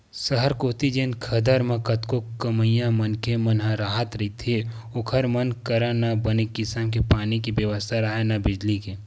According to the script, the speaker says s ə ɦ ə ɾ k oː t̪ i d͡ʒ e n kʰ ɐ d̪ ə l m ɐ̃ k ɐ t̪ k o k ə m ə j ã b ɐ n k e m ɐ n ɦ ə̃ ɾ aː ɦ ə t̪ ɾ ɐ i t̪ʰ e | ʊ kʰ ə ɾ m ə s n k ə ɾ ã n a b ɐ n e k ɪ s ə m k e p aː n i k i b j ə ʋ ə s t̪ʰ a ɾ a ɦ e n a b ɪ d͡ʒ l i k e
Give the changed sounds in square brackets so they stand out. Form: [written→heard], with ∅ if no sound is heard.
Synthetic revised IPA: s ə ɦ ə ɾ k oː t̪ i d͡ʒ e n kʰ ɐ d̪ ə [l→ɾ] m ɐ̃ k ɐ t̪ k o k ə m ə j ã [b→m] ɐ n k e m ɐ n ɦ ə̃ ɾ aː ɦ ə t̪ ɾ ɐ i t̪ʰ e | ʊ kʰ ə ɾ m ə [s→∅] n k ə ɾ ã n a b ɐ n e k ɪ s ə m k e p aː n i k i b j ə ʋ ə s t̪ʰ a ɾ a ɦ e n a b ɪ d͡ʒ l i k e

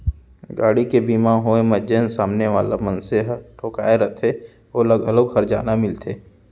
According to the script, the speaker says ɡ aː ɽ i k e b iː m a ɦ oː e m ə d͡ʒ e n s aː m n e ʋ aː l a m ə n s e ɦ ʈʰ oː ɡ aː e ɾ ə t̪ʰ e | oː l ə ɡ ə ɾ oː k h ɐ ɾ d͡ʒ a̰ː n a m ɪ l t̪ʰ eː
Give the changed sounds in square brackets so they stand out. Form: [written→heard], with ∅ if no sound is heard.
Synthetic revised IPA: ɡ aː ɽ i k e b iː m a ɦ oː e m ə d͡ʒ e n s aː m n e ʋ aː l a m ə n s e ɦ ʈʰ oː [ɡ→k] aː e ɾ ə t̪ʰ e | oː l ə ɡ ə [ɾ→l] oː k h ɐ ɾ d͡ʒ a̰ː n a m ɪ l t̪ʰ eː

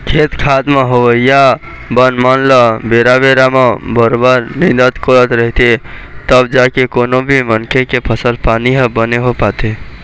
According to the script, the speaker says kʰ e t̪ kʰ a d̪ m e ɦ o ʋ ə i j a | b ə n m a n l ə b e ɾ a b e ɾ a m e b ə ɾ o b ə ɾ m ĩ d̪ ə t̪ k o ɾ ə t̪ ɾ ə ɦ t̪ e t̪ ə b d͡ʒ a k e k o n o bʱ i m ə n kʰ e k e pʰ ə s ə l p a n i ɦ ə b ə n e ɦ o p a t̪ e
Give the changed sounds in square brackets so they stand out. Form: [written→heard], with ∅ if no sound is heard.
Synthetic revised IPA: kʰ e t̪ kʰ a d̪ m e ɦ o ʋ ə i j a | b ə n m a n l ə b e ɾ a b e ɾ a m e b ə ɾ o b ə ɾ [m→n] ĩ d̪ ə t̪ k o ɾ ə t̪ ɾ ə ɦ t̪ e t̪ ə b d͡ʒ a k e k o n o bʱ i m ə n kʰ e k e pʰ ə s ə l p a n i ɦ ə b ə n e ɦ o p a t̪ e

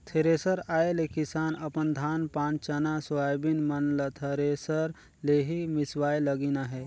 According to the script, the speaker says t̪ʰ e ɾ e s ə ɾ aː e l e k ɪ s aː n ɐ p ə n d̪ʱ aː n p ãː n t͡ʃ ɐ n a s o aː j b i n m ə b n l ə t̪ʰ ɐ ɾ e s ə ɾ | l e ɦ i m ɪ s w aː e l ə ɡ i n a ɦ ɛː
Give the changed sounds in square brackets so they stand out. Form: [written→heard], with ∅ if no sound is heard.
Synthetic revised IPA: t̪ʰ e ɾ e s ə ɾ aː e l e k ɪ s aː n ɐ p ə n d̪ʱ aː n p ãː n t͡ʃ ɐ n a s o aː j b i n m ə [b→∅] n l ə t̪ʰ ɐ ɾ e s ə ɾ | l e ɦ i m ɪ s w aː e l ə ɡ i n a ɦ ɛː

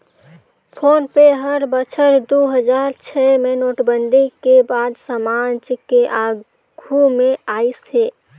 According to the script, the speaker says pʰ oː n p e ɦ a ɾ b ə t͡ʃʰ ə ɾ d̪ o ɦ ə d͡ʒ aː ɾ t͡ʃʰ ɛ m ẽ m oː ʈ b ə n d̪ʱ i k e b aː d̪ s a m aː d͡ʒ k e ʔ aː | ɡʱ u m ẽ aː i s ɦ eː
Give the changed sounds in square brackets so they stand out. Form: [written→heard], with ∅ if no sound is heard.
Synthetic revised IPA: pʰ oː n p e ɦ [a→ə] ɾ b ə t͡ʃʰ ə ɾ d̪ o ɦ ə d͡ʒ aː ɾ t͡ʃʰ ɛ m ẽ [m→n] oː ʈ b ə n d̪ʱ i k e b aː d̪ s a m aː d͡ʒ k e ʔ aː | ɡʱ u m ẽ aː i s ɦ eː

